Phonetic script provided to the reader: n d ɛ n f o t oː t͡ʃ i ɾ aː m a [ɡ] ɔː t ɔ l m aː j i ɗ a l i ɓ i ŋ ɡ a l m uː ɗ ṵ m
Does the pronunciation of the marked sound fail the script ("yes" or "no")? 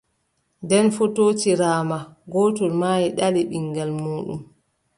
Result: no